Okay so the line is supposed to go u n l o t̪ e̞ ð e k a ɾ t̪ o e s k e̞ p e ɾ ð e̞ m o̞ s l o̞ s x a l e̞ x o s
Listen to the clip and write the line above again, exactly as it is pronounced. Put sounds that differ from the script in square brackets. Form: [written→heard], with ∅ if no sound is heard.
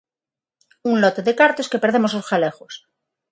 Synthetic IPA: u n l o t̪ e̞ ð e k a ɾ t̪ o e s k e̞ p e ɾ ð e̞ m o̞ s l o̞ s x a l e̞ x o s

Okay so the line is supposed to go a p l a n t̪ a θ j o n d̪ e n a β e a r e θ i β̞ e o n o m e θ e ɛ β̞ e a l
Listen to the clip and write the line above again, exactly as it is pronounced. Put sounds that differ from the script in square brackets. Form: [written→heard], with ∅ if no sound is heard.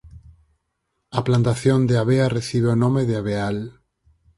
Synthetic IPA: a p l a n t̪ a θ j o n d̪ e [n→∅] a β e a r e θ i β̞ e o n o m e [θ→ð] e [ɛ→a] β̞ e a l

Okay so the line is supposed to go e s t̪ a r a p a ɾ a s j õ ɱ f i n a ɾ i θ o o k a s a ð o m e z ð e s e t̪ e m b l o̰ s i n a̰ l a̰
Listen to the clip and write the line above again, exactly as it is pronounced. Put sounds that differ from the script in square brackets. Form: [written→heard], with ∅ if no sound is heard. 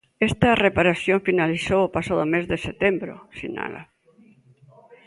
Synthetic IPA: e s t̪ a r [a→e] p a ɾ a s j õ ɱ f i n a [ɾ→l] i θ o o [k→p] a s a ð o m e z ð e s e t̪ e m b [l→ɾ] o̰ s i n a̰ l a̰

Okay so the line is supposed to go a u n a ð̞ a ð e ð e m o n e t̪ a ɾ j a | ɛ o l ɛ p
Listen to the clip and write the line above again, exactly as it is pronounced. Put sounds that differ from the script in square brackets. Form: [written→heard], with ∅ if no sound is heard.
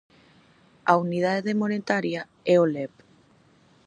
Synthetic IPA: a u n [a→i] ð̞ a ð e ð e m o n e t̪ a ɾ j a | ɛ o l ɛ p

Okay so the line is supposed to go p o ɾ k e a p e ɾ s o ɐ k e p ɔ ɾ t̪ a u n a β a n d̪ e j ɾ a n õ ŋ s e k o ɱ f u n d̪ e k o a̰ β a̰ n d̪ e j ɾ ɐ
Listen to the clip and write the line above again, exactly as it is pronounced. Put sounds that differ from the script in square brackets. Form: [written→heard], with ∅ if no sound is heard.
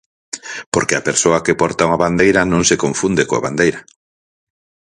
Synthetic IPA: p o ɾ k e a p e ɾ s o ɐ k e p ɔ ɾ t̪ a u [n→ŋ] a β a n d̪ e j ɾ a n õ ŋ s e k o ɱ f u n d̪ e k o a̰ β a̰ n d̪ e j ɾ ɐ

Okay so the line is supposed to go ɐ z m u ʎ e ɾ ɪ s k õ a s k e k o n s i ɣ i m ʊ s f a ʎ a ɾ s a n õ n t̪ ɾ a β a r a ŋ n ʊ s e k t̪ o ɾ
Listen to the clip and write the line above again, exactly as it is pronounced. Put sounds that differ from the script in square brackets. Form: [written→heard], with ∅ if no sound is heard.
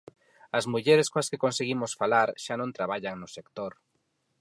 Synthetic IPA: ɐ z m u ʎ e ɾ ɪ s k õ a s k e k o n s [i→e] ɣ i m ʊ s f a [ʎ→l] a ɾ [s→ʃ] a n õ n t̪ ɾ a β a [r→ʎ] a ŋ n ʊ s e k t̪ o ɾ

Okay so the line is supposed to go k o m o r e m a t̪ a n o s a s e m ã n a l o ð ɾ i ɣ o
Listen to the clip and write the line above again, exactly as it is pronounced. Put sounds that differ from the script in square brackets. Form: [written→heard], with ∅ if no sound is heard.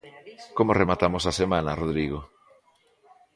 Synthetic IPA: k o m o r e m a t̪ a [n→m] o s a s e m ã n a [l→r] o ð ɾ i ɣ o

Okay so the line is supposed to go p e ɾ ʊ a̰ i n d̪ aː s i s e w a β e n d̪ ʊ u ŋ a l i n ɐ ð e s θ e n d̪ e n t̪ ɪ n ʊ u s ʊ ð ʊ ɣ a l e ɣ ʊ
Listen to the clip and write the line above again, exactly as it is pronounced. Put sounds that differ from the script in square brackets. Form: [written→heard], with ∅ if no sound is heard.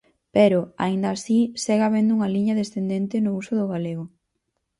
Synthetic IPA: p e ɾ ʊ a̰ i n d̪ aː s i s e [w→ɣ] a β e n d̪ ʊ u ŋ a l i [n→ɲ] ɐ ð e s θ e n d̪ e n t̪ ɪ n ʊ u s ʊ ð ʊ ɣ a l e ɣ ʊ

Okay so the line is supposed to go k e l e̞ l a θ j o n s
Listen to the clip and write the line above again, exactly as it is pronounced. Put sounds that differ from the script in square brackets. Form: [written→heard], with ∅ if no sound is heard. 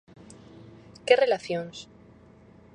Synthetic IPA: k e [l→r] e̞ l a θ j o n s

